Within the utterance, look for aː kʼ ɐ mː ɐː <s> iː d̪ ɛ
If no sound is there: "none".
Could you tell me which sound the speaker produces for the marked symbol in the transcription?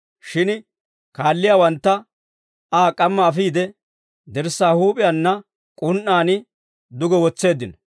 f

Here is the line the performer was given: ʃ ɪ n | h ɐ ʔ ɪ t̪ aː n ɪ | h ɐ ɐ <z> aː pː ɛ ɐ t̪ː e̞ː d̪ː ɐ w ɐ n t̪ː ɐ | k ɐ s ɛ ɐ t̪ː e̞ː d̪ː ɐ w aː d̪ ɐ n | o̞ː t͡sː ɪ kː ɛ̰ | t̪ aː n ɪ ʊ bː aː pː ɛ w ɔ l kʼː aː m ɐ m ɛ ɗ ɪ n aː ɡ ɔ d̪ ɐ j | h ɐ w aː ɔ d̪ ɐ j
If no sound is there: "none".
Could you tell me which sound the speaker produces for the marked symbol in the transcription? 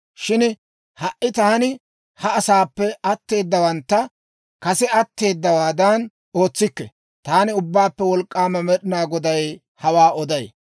s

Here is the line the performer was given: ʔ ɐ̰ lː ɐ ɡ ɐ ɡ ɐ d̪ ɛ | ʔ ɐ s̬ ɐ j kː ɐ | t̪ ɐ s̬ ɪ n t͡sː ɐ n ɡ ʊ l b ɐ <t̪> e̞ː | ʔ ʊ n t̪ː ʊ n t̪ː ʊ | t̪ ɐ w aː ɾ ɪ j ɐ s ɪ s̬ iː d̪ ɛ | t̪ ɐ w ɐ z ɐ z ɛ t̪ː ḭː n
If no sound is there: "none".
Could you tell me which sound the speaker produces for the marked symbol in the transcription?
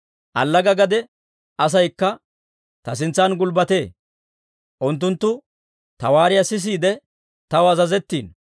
t̪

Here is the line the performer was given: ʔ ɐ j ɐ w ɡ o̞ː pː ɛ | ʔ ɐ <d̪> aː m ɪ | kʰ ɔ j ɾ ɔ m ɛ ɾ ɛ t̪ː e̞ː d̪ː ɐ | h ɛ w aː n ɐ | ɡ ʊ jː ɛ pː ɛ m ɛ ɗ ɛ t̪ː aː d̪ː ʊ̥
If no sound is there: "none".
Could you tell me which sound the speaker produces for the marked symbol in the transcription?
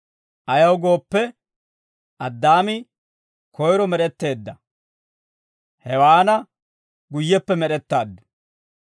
d̪ː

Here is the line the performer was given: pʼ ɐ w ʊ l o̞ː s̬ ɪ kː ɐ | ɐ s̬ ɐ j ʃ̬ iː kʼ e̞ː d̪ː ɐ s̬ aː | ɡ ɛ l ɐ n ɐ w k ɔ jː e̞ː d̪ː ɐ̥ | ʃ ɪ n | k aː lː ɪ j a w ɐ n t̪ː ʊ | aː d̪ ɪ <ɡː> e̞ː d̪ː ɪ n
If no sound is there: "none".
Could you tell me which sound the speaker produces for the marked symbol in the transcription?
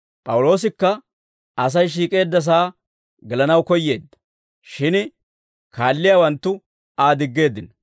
ɡː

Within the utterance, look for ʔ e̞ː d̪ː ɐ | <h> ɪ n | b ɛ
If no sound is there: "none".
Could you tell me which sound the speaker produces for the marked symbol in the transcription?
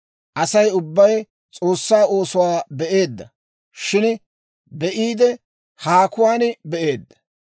ʃ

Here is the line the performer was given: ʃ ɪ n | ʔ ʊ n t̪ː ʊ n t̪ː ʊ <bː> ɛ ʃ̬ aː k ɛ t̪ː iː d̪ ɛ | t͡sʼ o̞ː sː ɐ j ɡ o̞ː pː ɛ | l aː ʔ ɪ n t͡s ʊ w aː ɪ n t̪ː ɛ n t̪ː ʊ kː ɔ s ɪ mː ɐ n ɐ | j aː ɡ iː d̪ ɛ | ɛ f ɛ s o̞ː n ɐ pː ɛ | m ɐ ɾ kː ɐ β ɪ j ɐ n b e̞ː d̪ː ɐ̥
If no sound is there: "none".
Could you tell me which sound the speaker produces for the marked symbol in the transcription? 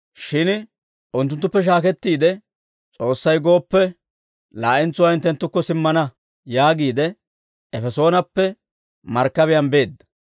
pː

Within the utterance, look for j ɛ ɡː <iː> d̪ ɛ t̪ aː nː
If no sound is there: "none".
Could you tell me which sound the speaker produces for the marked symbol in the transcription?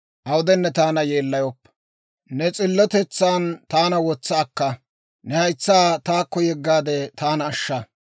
aː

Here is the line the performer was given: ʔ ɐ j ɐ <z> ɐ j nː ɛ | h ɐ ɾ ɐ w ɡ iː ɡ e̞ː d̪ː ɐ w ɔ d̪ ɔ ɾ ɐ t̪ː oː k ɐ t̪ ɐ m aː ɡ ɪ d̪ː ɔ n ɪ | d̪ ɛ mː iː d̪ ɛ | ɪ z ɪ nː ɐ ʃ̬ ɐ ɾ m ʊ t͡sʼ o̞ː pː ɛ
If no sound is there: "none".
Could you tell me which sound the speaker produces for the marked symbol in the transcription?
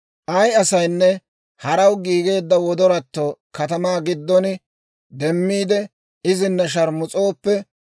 s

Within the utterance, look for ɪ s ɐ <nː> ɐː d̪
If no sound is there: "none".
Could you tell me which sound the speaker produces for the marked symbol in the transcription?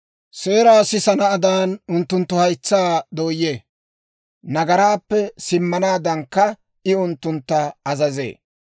n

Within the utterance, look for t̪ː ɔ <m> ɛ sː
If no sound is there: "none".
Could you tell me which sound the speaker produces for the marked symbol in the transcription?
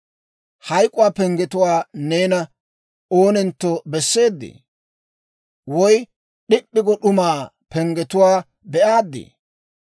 b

